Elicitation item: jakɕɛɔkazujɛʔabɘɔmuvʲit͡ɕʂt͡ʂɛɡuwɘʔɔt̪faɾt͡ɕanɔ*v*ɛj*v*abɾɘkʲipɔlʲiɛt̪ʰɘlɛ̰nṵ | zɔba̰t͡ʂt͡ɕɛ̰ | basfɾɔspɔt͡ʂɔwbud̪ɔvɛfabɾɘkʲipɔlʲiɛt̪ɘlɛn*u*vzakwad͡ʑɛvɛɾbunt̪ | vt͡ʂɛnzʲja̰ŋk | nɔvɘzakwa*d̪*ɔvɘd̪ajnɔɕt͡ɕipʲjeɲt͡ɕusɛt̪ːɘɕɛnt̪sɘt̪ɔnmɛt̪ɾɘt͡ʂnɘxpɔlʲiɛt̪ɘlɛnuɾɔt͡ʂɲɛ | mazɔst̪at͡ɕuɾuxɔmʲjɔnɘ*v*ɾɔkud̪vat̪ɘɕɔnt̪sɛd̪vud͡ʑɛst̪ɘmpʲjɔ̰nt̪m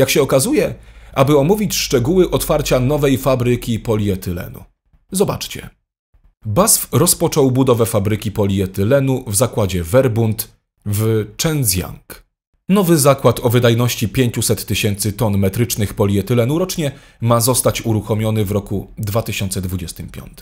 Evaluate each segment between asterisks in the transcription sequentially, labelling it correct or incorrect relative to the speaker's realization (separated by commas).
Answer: correct, incorrect, correct, incorrect, correct